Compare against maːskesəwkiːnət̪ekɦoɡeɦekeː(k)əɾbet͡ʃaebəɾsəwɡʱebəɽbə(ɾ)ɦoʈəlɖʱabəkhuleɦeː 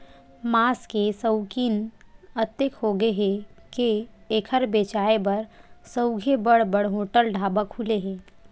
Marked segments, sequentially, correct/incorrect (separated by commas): incorrect, incorrect